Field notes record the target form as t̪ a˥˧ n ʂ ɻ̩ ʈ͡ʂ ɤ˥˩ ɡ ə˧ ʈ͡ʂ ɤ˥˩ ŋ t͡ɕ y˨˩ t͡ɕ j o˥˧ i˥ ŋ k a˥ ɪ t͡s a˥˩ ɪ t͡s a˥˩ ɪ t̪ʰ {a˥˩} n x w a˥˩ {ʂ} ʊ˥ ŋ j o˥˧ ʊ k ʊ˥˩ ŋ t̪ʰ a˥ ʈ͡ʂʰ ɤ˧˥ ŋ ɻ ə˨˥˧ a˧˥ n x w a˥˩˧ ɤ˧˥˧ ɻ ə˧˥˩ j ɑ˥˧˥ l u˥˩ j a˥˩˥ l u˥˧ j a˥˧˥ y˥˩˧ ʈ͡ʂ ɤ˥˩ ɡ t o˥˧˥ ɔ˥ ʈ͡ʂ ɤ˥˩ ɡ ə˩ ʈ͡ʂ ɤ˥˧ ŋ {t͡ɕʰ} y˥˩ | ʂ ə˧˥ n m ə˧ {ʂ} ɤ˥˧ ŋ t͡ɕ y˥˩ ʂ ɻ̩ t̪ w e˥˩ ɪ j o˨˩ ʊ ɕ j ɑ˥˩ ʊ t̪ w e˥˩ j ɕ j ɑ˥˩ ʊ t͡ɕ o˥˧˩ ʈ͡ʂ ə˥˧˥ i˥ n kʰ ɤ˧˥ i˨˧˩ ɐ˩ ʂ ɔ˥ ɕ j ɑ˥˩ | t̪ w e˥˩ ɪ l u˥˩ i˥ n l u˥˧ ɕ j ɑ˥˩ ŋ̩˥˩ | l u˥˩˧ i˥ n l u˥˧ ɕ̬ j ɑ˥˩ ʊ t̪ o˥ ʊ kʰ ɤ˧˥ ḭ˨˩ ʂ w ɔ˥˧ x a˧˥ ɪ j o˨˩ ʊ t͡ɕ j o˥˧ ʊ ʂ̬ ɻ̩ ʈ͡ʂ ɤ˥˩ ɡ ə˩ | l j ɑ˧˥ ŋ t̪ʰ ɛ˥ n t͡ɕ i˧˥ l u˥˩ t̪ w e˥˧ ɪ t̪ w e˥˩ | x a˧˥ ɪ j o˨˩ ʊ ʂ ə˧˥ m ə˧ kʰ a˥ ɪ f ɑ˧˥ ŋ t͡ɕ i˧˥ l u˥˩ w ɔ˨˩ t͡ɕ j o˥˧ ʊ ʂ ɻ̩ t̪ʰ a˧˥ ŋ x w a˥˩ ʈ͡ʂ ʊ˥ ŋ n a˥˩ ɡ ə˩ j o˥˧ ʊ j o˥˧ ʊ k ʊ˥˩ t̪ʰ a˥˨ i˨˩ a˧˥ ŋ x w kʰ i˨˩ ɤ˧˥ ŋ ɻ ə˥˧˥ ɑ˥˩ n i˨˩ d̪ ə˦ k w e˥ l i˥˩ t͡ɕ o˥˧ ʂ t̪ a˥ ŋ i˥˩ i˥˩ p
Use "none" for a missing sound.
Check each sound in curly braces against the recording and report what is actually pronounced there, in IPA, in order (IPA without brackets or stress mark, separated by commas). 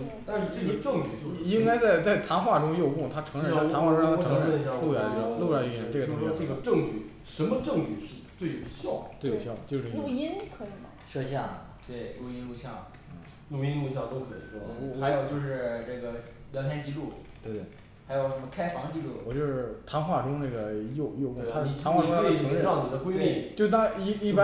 a˧˥, ʈ͡ʂ, t͡ɕ, ʈ͡ʂ